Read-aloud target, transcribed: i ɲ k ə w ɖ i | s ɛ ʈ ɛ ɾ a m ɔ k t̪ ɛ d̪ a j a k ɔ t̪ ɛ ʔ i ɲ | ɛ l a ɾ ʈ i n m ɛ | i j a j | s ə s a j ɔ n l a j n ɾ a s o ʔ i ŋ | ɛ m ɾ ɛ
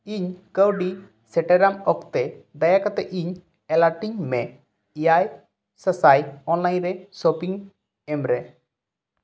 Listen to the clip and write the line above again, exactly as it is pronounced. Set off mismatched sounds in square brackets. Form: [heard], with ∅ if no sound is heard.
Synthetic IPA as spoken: i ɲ k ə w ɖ i | s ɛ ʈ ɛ ɾ a m ɔ k t̪ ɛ d̪ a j a k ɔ t̪ ɛ ʔ i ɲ | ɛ l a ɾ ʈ i [ɲ] m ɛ | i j a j | s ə s a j ɔ n l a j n ɾ [ɛ] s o [p] i ŋ | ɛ m ɾ ɛ